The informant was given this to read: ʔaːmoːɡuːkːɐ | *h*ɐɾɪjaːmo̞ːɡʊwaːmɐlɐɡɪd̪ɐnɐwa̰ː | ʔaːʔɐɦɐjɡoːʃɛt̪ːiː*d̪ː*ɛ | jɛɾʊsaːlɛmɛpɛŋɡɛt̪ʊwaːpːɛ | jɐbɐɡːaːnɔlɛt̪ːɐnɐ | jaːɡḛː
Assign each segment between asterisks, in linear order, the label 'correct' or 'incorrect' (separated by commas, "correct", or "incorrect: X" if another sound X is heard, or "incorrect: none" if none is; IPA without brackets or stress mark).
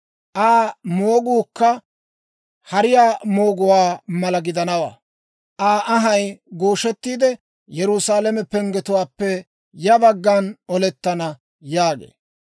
correct, incorrect: d̪